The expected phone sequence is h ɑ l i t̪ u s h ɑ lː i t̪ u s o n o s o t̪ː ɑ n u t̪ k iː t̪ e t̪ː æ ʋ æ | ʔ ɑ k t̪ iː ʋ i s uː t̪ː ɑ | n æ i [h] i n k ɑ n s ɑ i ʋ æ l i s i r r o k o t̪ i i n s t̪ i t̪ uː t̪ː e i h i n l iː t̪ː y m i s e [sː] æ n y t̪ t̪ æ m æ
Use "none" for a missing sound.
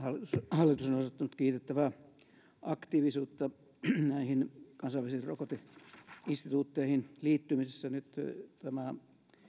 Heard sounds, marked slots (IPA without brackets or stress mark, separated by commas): h, sː